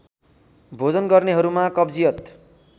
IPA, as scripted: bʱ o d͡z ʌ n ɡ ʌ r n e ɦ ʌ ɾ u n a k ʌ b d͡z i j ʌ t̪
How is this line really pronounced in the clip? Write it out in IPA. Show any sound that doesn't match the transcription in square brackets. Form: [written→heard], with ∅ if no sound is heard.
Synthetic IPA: bʱ o d͡z ʌ n ɡ ʌ r n e ɦ ʌ ɾ u [n→m] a k ʌ b d͡z i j ʌ t̪